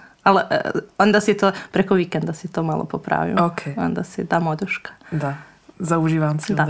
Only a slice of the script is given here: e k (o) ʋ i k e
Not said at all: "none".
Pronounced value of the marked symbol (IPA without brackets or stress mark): o